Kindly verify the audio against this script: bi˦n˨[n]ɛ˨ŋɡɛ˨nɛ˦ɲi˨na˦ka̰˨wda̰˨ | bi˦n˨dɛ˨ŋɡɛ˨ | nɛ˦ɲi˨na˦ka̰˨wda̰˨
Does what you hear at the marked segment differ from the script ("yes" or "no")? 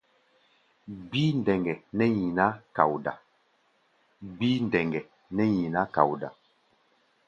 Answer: yes